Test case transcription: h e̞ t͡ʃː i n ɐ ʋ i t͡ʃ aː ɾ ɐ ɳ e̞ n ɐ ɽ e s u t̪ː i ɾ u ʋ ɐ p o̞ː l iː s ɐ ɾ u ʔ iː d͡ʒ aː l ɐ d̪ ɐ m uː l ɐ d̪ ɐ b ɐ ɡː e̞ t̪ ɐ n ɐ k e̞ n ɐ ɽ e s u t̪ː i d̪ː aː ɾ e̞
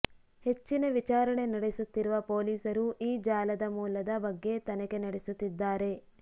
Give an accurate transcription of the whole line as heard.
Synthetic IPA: h e̞ t͡ʃː i n ɐ ʋ i t͡ʃ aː ɾ ɐ ɳ e̞ n ɐ ɽ e s u t̪ː i ɾ u ʋ ɐ p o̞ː l iː s ɐ ɾ u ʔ iː d͡ʒ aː l ɐ d̪ ɐ m uː l ɐ d̪ ɐ b ɐ ɡː e̞ t̪ ɐ n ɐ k e̞ n ɐ ɽ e s u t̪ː i d̪ː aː ɾ e̞